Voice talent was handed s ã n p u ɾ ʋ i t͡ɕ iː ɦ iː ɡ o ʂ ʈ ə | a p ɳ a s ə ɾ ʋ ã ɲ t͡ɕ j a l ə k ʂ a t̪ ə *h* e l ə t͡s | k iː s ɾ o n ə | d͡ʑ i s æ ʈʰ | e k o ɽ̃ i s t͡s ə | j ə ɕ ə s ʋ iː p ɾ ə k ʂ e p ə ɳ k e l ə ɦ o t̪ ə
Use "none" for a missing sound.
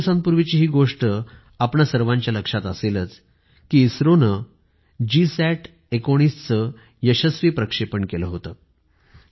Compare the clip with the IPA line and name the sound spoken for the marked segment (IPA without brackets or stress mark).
s